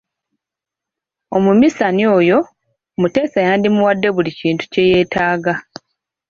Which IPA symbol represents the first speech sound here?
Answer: o̞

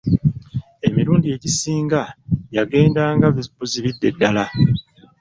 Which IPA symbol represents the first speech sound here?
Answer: e̞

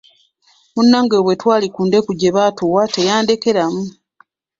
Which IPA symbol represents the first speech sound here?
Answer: m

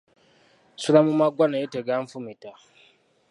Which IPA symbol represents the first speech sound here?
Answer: s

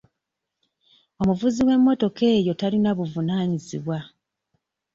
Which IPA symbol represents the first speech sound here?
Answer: o̞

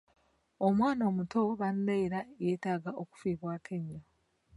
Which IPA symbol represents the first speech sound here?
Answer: o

